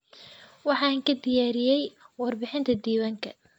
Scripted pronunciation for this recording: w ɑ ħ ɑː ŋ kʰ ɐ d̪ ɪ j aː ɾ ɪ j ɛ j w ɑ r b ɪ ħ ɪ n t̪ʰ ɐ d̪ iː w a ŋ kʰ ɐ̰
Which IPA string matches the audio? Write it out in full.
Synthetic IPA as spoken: w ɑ ħ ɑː ŋ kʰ ɐ d̪ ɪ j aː ɾ ɪ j ɛ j w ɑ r b ɪ ħ ɪ n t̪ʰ ɐ d̪ iː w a ŋ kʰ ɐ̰

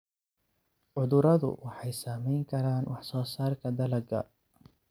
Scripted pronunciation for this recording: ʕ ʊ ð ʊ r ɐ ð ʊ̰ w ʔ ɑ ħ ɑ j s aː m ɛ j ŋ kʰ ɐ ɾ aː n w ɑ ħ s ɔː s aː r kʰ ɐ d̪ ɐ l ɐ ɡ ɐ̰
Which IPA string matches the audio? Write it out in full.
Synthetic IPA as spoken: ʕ ʊ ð ʊ ɾ ɐ ð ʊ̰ w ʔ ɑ ħ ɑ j s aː m ɛ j ŋ kʰ ɐ ɾ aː n w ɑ ħ s ɔː s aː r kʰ ɐ d̪ ɐ l ɐ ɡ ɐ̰

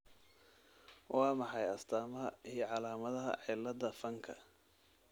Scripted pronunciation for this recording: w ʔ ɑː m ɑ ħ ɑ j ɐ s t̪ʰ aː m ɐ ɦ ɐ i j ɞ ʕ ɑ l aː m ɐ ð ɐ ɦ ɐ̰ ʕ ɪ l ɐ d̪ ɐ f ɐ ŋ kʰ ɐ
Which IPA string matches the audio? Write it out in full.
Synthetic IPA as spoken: w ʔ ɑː m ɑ ħ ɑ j ɐ s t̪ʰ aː m ɐ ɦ ɐ i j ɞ ʕ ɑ l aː m ɐ ð ɐ ɦ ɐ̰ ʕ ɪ l ɐ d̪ ɐ f ɐ ŋ kʰ ɐ

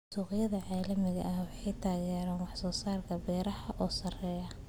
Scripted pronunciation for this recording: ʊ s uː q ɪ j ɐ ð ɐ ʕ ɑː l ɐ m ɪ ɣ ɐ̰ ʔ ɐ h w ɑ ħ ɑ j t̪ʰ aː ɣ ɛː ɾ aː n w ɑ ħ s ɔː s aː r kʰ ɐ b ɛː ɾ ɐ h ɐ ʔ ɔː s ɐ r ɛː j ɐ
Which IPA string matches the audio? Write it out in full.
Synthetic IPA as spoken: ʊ s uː q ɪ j ɐ ð ɐ ʕ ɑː l ɐ m ɪ ɣ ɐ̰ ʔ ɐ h w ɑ ħ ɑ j t̪ʰ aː ɣ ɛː ɾ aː n w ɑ ħ s ɔː s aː r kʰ ɐ b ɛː ɾ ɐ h ɐ ʔ ɔː s ɐ r ɛː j ɐ

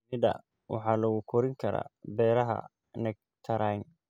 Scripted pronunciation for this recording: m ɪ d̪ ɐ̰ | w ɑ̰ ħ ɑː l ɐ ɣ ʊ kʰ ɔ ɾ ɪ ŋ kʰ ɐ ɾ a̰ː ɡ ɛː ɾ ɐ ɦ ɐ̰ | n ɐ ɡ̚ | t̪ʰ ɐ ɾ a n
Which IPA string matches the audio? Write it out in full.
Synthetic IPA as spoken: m ɪ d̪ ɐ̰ | w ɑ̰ ħ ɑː l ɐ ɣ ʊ kʰ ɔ ɾ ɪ ŋ kʰ ɐ ɾ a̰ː b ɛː ɾ ɐ ɦ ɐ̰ | n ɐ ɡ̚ | t̪ʰ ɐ ɾ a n

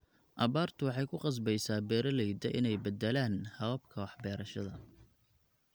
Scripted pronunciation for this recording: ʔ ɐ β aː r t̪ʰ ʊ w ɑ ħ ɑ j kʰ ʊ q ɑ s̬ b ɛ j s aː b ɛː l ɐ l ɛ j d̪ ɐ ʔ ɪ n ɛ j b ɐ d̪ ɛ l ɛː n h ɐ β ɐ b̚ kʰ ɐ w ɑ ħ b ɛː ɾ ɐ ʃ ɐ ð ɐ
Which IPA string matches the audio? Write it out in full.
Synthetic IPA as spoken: ʔ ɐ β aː r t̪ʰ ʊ w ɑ ħ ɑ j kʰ ʊ q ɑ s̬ b ɛ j s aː b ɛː ɾ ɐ l ɛ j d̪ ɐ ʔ ɪ n ɛ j b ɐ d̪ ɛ l aː n h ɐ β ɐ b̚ kʰ ɐ w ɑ ħ b ɛː ɾ ɐ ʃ ɐ ð ɐ

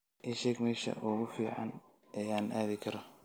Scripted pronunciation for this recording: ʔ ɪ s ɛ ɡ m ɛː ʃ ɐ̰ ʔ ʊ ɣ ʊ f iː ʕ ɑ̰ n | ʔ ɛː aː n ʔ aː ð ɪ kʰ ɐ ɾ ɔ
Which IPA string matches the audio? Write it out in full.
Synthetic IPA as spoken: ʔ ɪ ʃ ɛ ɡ m ɛː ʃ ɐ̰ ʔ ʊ ɣ ʊ f iː ʕ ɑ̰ n | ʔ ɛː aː n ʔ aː ð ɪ kʰ ɐ ɾ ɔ

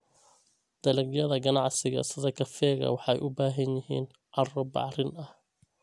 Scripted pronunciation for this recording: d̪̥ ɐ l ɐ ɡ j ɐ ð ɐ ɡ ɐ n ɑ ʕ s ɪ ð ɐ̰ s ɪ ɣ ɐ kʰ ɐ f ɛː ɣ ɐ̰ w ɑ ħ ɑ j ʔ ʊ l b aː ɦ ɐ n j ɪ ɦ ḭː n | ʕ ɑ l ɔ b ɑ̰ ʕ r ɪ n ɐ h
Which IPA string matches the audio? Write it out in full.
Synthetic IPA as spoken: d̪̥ ɐ l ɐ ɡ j ɐ ð ɐ ɡ ɐ n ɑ ʕ s ɪ ɣ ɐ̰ s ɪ ð ɐ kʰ ɐ f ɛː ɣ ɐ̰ w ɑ ħ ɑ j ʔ ʊ b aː ɦ ɐ n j ɪ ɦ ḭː n | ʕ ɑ r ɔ b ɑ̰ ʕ r ɪ n ɐ h

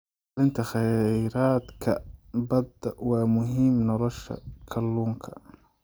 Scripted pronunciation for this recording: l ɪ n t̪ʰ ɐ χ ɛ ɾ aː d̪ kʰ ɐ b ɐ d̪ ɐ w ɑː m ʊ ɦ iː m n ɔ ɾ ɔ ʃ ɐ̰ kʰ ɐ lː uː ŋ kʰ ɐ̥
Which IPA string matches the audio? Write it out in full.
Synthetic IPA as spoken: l ɪ n t̪ʰ ɐ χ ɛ ɾ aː d̪ kʰ ɐ b ɐ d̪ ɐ w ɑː m ʊ ɦ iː m n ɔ l ɔ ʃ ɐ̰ kʰ ɐ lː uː ŋ kʰ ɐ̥

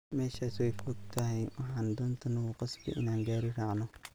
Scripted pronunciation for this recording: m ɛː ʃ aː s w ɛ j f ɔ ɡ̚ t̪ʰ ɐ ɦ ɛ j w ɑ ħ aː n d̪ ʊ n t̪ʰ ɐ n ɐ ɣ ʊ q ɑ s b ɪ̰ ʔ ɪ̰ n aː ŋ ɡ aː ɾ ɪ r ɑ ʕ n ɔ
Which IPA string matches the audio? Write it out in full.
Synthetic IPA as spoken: m ɛː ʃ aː s w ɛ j f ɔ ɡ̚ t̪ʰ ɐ ɦ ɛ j w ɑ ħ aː n d̪ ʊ n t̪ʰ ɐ n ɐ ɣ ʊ q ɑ s b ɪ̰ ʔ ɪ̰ n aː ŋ ɡ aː ɾ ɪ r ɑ ʕ n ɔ

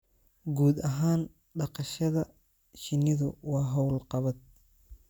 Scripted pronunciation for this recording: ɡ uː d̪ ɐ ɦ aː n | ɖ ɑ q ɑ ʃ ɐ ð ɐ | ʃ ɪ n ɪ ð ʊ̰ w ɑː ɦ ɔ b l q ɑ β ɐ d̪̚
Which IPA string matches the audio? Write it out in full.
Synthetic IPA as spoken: ɡ uː d̪ ɐ ɦ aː n | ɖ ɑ q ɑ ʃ ɐ ð ɐ | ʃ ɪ n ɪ ð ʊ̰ w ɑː ɦ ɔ w l q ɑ β ɐ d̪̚

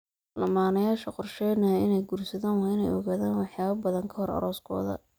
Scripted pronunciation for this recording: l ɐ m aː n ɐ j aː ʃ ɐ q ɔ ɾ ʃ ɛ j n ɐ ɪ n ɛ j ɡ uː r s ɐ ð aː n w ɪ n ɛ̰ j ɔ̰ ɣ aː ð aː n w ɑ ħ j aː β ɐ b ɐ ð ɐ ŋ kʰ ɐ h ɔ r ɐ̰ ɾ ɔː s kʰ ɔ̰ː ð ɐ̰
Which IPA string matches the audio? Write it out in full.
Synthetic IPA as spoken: l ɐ m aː n ɐ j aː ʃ ɐ q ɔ r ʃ ɛ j n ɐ ɪ n ɛ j ɡ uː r s ɐ ð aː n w ɪ n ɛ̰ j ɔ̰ ɣ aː ð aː n w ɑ ħ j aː β ɐ b ɐ ð ɐ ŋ kʰ ɐ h ɔ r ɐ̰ ɾ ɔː s kʰ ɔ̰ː ð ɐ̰

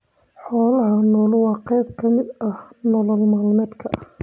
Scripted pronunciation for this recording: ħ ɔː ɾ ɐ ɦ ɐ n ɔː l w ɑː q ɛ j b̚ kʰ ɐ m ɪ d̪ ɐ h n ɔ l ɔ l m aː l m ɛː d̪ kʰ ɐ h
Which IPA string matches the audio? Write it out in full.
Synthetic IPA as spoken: ħ ɔː l ɐ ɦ ɐ n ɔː l w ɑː q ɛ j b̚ kʰ ɐ m ɪ d̪ ɐ h n ɔ l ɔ l m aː l m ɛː d̪ kʰ ɐ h

